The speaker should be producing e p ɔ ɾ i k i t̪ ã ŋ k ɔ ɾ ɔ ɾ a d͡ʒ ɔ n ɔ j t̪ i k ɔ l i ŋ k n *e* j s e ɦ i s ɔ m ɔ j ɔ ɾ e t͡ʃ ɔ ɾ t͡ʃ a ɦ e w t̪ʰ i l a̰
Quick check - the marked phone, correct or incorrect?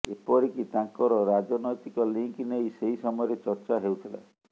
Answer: correct